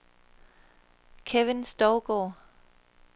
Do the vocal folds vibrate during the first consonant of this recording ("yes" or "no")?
no